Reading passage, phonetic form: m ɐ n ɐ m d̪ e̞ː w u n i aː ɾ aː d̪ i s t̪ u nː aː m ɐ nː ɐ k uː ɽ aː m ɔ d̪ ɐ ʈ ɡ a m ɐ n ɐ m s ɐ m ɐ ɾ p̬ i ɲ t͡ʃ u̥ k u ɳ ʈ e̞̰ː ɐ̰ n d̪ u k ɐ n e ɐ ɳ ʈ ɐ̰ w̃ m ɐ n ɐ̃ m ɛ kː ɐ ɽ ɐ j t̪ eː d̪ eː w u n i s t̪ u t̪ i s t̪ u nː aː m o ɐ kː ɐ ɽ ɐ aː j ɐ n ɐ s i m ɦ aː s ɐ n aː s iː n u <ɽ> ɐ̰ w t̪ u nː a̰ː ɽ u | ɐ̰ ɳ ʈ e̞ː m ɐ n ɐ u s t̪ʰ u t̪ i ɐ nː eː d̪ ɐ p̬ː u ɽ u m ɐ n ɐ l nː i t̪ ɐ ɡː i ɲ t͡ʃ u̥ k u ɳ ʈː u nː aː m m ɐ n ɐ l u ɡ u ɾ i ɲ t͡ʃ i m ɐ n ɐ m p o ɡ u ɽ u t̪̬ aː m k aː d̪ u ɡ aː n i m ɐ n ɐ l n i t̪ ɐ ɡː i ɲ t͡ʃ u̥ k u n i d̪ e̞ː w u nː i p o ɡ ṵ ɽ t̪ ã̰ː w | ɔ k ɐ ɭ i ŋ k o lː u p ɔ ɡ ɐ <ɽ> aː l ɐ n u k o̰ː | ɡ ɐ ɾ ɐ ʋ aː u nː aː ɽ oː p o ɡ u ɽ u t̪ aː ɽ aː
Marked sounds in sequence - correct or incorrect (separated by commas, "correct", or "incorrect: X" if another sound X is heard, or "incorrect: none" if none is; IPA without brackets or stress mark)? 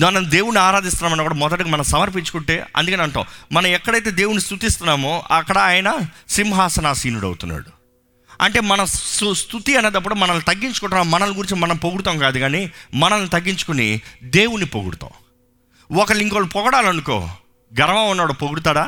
correct, correct